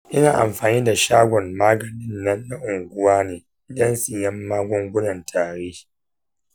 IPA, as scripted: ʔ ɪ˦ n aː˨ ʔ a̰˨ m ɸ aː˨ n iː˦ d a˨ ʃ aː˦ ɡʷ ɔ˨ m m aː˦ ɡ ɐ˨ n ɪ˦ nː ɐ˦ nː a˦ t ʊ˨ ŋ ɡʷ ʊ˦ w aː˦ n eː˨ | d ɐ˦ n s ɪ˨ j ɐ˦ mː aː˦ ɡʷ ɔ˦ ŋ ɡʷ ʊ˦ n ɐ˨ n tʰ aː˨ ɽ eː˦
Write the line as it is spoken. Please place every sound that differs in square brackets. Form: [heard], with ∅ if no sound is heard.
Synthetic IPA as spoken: ʔ ɪ˦ n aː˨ ʔ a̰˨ m ɸ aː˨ n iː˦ d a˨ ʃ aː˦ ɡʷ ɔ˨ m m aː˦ ɡ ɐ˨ n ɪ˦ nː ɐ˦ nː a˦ [ʔ] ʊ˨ ŋ ɡʷ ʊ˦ w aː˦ n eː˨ | d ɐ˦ n s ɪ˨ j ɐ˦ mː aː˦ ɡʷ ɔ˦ ŋ ɡʷ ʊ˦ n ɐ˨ n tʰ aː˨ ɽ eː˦

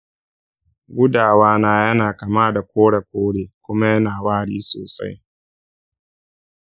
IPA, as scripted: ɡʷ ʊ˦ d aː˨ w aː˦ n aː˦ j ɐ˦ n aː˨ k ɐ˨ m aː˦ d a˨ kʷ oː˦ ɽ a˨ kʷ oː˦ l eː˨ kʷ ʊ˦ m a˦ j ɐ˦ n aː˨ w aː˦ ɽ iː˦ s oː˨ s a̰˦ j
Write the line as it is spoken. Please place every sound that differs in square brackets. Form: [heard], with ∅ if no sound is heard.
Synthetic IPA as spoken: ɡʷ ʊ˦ d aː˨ w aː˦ n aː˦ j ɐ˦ n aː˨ k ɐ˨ m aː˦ d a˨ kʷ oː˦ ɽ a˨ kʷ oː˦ [ɽ] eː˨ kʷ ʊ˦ m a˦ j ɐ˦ n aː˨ w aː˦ ɽ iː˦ s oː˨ s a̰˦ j

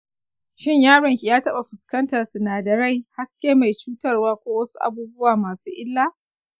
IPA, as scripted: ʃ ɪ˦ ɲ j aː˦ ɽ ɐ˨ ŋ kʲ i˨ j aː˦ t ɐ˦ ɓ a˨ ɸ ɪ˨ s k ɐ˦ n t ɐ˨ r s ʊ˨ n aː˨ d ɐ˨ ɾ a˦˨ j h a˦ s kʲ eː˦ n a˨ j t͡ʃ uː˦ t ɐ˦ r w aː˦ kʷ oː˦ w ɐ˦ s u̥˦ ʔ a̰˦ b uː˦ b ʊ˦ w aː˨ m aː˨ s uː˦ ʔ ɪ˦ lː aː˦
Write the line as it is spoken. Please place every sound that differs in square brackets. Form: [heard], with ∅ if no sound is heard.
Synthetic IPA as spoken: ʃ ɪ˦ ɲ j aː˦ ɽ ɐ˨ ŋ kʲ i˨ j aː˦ t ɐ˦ ɓ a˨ ɸ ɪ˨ s k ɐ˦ n t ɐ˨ r s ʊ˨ n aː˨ d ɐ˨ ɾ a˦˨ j h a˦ s kʲ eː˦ [m] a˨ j t͡ʃ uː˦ t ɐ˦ r w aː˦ kʷ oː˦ w ɐ˦ s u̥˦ ʔ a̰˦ b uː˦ b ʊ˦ w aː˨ m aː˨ s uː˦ ʔ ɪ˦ lː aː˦

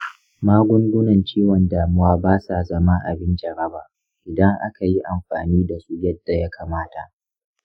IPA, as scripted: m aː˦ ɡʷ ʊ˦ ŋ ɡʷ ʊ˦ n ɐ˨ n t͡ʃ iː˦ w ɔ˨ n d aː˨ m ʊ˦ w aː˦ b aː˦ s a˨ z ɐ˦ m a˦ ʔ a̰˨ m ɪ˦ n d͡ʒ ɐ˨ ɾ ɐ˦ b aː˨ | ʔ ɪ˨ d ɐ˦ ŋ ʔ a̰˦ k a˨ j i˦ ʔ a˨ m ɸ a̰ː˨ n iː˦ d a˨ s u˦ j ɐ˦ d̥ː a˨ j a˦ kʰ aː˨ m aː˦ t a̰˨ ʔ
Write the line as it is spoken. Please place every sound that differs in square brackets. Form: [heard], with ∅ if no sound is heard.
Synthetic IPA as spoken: m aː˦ ɡʷ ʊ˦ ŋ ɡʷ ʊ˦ n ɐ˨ n t͡ʃ iː˦ w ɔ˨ n d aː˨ m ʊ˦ w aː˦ b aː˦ s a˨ z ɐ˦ m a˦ ʔ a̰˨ [b] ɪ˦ n d͡ʒ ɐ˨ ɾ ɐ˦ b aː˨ | ʔ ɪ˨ d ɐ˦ ŋ ʔ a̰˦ k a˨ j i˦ ʔ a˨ m ɸ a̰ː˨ n iː˦ d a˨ s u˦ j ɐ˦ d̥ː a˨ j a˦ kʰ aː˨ m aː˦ t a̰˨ ʔ

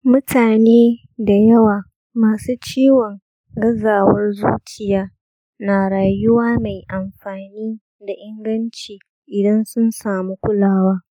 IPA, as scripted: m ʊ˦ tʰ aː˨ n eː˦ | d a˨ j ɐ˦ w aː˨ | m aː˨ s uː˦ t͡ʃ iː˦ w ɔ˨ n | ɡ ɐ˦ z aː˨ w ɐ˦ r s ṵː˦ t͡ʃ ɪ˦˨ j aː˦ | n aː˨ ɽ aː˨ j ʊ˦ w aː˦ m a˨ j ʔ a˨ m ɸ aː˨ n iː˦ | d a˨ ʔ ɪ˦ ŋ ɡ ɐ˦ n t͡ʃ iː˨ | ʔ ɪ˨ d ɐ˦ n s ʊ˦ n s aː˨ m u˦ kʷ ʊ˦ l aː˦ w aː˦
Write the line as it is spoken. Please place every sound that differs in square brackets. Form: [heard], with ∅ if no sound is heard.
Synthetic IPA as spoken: m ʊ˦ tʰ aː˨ n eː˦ | d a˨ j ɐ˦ w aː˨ | m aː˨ s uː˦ t͡ʃ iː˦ w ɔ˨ [ŋ] | ɡ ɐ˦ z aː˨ w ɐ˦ r [z] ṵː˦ t͡ʃ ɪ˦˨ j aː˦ | n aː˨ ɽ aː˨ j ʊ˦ w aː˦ m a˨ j ʔ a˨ m ɸ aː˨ n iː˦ | d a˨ ʔ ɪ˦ ŋ ɡ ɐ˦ n t͡ʃ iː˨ | ʔ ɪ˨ d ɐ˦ n s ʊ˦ n s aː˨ m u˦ kʷ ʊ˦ l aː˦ w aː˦

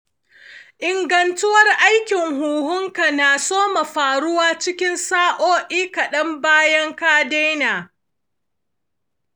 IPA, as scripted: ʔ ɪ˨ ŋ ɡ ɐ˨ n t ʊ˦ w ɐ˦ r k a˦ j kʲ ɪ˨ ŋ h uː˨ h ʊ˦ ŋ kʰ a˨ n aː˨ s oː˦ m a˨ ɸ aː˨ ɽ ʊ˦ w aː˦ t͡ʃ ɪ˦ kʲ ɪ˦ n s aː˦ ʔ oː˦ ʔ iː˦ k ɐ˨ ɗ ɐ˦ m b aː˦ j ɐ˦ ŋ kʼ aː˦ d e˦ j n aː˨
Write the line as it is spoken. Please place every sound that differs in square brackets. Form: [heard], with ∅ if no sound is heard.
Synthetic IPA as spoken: ʔ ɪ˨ ŋ ɡ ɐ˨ n t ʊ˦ w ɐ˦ r [ʔ] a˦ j kʲ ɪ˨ ŋ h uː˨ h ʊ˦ ŋ [k] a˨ n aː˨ s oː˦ m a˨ ɸ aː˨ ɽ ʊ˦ w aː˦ t͡ʃ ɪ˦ kʲ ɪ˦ n s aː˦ ʔ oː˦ ʔ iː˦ k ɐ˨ ɗ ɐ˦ m b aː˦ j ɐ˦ ŋ [k] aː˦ d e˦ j n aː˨

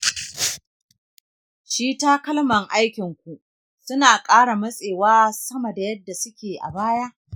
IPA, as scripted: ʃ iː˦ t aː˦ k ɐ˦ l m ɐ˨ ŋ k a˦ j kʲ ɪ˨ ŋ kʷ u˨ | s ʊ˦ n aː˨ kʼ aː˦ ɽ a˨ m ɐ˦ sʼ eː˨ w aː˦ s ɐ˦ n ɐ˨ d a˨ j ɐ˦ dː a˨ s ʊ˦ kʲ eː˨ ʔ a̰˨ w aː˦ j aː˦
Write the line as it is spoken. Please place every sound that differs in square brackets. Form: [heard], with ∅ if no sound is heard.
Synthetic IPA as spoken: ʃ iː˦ t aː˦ k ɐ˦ l m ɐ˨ ŋ [ʔ] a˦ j kʲ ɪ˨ ŋ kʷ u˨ | s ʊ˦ n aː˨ kʼ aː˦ ɽ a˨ m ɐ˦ sʼ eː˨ w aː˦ s ɐ˦ [m] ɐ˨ d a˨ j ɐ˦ dː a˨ s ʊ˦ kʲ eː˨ ʔ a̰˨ [b] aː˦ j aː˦

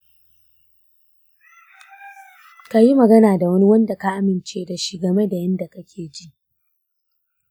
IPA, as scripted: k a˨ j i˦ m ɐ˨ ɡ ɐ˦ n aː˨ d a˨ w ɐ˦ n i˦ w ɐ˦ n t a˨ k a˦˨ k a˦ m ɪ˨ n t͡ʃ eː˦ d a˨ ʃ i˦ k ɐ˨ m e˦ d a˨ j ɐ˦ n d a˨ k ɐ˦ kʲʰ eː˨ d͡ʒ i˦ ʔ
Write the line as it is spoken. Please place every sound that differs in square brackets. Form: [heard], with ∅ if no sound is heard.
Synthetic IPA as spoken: k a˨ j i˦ m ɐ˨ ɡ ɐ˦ n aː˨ d a˨ w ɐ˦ n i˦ w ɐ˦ n [d] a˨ k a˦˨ [ʔ] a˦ m ɪ˨ n t͡ʃ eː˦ d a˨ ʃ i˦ [ɡ] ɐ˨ m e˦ d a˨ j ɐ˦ n d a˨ k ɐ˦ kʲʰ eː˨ d͡ʒ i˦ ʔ

